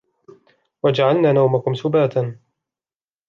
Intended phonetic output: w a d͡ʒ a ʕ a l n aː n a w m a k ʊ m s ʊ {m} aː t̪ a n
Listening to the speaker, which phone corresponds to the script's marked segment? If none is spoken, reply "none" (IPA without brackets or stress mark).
b